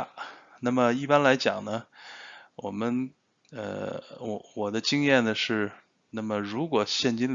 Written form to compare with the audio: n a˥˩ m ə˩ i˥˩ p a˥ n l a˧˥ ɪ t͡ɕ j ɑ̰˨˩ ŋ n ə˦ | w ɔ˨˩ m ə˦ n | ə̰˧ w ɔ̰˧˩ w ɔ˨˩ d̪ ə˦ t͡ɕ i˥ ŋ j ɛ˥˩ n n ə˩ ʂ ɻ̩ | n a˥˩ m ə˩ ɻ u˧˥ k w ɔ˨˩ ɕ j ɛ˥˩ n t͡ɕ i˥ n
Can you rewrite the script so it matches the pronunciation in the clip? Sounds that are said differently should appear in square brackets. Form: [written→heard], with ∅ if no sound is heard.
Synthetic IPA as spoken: n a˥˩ m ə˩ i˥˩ p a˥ n l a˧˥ ɪ t͡ɕ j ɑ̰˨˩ ŋ n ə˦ | w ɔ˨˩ m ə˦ n | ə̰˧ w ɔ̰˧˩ w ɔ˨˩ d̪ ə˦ t͡ɕ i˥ ŋ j ɛ˥˩ n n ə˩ ʂ ɻ̩ | n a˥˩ m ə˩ ɻ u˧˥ k w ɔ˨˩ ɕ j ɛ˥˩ n t͡ɕ i˥ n